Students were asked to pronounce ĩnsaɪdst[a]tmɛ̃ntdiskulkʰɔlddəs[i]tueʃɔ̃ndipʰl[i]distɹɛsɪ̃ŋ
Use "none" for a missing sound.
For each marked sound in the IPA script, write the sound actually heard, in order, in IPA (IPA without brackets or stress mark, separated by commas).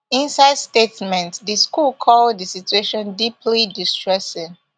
e, i, i